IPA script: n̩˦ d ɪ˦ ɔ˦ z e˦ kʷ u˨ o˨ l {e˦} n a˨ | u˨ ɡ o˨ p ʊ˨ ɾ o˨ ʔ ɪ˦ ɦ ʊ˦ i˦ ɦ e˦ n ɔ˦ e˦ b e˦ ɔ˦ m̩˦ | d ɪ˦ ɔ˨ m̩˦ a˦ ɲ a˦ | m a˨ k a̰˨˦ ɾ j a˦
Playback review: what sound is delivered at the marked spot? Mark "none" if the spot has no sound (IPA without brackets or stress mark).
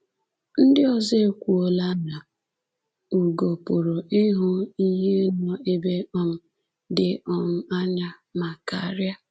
a˦